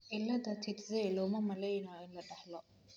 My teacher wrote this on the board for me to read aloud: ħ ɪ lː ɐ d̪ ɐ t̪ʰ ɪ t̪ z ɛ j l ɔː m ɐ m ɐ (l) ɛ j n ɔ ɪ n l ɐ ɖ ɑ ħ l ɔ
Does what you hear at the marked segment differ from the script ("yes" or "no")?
no